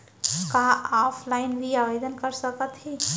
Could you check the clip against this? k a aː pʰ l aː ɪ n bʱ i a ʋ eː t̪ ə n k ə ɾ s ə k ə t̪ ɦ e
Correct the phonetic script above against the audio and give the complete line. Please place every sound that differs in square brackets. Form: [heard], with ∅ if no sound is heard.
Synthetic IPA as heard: k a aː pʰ l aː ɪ n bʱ i a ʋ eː [d̪] ə n k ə ɾ s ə k ə t̪ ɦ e